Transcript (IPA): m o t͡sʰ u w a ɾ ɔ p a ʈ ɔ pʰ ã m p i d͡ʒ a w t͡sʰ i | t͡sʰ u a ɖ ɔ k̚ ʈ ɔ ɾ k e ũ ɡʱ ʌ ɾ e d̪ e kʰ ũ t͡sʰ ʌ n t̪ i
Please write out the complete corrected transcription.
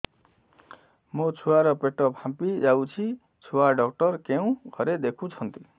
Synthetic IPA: m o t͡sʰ u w a ɾ ɔ p e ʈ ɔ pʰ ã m p i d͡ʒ a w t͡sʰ i | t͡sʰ u a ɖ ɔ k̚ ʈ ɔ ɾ k e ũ ɡʱ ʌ ɾ e d̪ e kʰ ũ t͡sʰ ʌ n t̪ i